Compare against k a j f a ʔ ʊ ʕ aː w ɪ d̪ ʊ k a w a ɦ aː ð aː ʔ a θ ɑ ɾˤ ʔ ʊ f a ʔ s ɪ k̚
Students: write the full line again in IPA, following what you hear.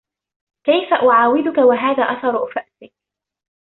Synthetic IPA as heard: k a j f a ʔ ʊ ʕ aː w ɪ d̪ ʊ k a w a ɦ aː ð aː ʔ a θ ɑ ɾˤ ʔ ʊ f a ʔ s ɪ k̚